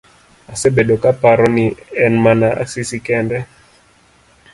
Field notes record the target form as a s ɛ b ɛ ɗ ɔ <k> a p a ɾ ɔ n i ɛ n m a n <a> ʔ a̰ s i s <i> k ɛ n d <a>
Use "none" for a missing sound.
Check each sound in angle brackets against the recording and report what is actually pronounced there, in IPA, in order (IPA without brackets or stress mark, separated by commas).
k, a, i, ɛ